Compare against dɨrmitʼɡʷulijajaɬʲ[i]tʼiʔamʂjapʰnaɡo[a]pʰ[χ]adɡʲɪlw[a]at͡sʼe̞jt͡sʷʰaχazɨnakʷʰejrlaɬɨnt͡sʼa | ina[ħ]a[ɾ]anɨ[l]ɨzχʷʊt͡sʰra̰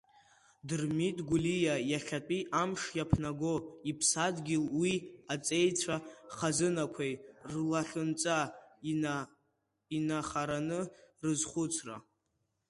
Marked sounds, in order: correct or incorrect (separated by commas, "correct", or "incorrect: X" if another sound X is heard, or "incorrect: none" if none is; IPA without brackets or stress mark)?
incorrect: a, incorrect: i, incorrect: s, incorrect: i, incorrect: χ, correct, incorrect: r